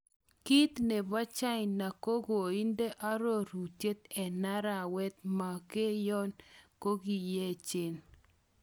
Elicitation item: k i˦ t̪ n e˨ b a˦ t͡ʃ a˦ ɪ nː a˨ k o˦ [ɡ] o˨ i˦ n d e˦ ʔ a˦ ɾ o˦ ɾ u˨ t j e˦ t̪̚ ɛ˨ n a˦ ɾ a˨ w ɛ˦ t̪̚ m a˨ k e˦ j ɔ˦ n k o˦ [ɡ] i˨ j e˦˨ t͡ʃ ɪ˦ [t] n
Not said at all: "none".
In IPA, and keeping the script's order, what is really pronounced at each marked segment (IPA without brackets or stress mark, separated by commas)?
ɡ, ɡ, none